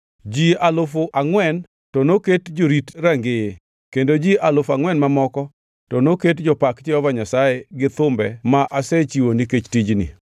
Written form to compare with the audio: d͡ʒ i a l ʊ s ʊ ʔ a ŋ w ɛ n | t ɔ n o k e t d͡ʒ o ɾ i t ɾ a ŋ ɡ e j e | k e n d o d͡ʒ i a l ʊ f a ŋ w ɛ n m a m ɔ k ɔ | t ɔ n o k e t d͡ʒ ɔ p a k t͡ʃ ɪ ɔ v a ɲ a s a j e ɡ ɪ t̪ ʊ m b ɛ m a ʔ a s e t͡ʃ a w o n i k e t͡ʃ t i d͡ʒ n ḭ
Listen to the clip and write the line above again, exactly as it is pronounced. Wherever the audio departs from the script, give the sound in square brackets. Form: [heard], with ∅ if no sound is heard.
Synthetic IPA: d͡ʒ i a l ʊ [f] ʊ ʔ a ŋ w ɛ n | t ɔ n o k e t d͡ʒ o ɾ i t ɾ a ŋ ɡ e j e | k e n d o d͡ʒ i a l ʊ f a ŋ w ɛ n m a m ɔ k ɔ | t ɔ n o k e t d͡ʒ ɔ p a k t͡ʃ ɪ ɔ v a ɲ a s a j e ɡ ɪ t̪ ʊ m b ɛ m a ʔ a s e t͡ʃ [i] w o n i k e t͡ʃ t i d͡ʒ n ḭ